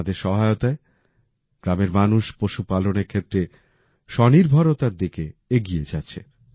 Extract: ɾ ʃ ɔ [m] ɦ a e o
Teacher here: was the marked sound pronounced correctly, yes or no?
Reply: no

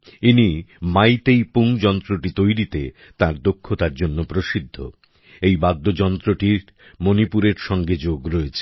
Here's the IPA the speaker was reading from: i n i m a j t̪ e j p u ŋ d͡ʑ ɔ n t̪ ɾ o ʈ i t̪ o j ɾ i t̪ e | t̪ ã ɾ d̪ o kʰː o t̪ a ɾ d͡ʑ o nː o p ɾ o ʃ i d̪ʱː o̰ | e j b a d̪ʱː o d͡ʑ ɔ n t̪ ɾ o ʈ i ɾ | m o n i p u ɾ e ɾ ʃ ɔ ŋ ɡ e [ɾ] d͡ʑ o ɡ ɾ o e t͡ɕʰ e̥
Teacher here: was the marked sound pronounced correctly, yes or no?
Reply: no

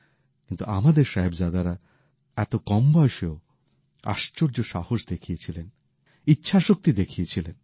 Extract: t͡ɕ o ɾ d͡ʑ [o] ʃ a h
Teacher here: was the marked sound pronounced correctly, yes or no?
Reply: yes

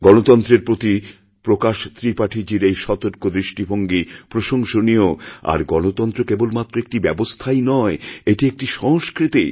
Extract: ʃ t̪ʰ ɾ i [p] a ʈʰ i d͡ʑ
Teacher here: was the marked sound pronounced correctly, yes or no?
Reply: yes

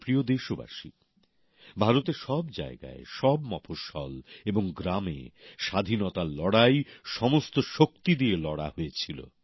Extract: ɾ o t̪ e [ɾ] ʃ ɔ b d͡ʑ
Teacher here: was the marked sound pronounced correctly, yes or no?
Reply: yes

